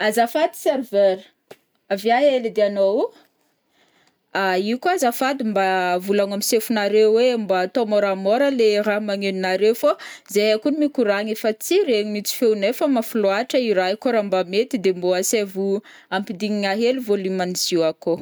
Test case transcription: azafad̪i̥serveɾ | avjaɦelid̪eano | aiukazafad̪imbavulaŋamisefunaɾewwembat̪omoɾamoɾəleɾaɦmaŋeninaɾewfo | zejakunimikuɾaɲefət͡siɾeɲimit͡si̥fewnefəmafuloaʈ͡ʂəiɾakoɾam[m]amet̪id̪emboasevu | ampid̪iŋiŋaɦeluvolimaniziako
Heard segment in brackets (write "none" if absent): b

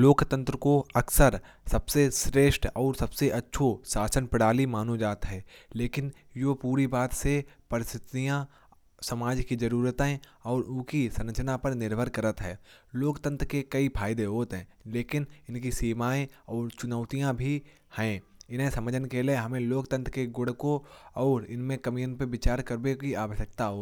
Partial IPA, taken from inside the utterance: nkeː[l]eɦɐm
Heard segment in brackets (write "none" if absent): l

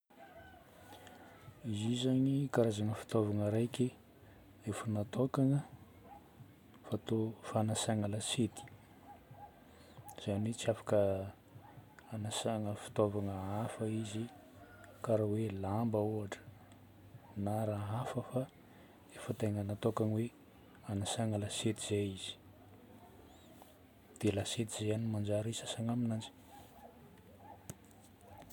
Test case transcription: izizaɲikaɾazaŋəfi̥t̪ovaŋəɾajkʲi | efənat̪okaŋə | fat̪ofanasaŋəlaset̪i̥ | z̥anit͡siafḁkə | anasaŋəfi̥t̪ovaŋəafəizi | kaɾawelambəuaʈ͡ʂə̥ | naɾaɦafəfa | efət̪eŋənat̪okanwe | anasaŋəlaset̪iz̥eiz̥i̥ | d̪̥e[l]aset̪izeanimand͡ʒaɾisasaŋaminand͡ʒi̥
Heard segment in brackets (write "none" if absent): l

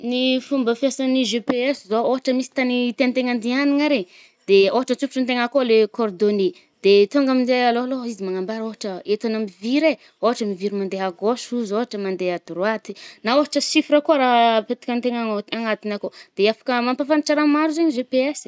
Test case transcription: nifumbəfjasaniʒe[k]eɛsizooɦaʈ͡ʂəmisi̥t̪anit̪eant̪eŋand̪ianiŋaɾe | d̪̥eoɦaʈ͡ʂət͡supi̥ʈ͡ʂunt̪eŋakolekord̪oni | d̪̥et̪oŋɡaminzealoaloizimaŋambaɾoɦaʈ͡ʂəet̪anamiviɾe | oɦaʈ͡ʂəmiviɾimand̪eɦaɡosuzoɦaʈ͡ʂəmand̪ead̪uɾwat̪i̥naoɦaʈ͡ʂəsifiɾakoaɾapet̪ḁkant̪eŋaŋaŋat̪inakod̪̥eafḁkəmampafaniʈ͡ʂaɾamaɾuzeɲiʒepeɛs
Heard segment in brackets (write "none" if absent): p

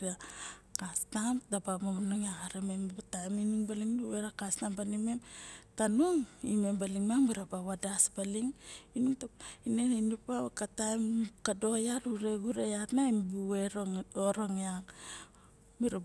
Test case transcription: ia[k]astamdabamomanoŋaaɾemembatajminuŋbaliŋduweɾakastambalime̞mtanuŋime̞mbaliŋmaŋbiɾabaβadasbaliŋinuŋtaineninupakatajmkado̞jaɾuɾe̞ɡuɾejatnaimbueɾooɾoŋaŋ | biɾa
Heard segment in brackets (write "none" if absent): k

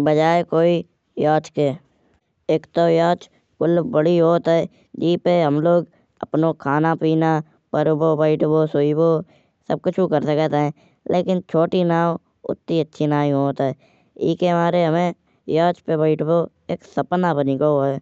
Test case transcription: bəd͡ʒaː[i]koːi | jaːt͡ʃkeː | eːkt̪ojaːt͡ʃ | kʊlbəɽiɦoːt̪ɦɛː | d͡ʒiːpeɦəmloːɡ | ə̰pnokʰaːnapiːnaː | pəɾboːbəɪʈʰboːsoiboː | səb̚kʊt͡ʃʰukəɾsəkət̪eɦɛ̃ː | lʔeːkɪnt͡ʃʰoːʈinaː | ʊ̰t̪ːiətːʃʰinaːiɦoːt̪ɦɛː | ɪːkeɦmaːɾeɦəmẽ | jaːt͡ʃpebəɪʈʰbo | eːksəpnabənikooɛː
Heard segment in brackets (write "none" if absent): e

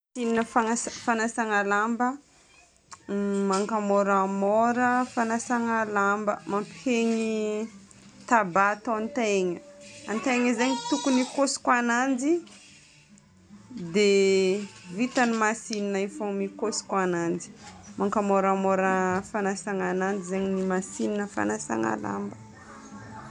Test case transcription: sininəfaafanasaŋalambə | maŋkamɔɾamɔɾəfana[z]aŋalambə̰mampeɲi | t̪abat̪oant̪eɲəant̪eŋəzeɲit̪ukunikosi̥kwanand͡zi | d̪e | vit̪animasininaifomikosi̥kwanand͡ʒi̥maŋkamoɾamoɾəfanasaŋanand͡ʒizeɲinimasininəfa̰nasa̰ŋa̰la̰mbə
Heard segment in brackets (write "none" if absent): s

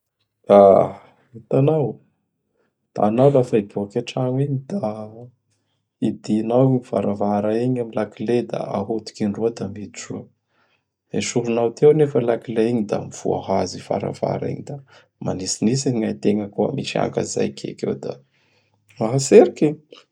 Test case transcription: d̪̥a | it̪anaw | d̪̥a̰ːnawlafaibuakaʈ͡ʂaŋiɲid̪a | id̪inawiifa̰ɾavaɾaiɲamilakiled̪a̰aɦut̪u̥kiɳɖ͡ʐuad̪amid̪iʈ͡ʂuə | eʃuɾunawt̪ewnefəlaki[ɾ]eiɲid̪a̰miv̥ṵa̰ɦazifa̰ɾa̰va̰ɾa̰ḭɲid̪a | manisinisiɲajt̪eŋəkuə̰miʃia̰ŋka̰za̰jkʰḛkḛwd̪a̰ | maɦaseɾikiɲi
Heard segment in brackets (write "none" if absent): l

